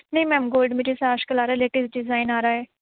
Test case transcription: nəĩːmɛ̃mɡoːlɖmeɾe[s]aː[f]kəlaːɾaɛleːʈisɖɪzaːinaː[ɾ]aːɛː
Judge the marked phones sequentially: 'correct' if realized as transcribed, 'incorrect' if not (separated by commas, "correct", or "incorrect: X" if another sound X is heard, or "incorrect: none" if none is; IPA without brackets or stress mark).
correct, incorrect: ʃ, correct